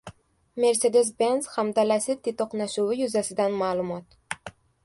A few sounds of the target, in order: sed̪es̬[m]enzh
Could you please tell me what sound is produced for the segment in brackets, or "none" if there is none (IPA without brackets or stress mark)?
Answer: b